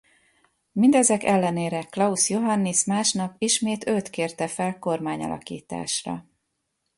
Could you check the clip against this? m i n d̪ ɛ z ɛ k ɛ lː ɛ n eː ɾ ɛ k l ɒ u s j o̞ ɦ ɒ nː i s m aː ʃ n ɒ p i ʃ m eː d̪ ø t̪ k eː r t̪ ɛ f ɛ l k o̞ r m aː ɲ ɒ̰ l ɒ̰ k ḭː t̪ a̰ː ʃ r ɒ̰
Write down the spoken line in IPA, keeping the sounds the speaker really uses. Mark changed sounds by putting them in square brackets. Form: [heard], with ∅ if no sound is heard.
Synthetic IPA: m i n d̪ ɛ z ɛ k ɛ lː ɛ n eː ɾ ɛ k l ɒ u s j o̞ ɦ ɒ nː i s m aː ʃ n ɒ p i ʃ m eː [t̪] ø t̪ k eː r t̪ ɛ f ɛ l k o̞ r m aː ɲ ɒ̰ l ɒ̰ k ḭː t̪ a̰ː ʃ r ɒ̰